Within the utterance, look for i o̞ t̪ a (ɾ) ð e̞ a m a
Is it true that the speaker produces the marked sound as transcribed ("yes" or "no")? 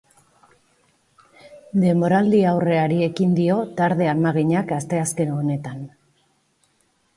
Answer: yes